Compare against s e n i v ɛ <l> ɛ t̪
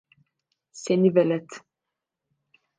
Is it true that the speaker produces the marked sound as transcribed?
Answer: yes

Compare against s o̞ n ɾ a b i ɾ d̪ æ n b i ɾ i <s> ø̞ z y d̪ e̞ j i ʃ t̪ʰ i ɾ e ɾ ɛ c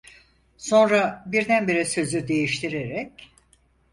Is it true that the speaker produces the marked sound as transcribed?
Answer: yes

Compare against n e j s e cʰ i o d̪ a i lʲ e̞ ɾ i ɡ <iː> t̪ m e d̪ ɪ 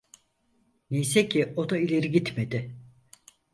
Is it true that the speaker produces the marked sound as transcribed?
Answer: no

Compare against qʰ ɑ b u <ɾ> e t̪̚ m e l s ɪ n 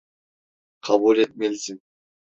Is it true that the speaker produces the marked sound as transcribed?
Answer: no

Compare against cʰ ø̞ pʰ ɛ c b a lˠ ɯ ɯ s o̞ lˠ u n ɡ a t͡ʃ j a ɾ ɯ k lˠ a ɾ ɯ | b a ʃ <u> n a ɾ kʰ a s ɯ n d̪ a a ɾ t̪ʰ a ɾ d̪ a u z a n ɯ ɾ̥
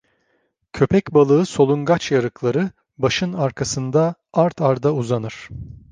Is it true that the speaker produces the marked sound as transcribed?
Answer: no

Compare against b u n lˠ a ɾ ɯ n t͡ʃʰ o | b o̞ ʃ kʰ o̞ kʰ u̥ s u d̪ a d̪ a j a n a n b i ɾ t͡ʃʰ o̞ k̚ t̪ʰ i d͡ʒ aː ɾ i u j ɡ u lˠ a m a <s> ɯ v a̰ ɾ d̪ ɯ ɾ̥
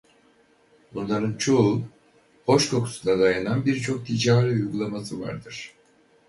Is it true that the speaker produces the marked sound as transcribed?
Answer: yes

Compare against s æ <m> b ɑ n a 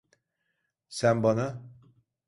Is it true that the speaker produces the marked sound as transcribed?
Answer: no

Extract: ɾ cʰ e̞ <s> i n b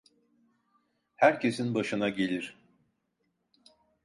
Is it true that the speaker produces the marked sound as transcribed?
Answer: yes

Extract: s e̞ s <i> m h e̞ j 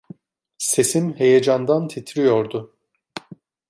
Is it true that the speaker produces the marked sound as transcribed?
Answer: yes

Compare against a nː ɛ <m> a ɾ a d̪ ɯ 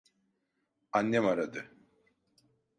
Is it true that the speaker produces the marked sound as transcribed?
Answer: yes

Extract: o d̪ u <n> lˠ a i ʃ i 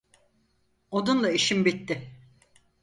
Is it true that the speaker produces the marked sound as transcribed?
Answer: yes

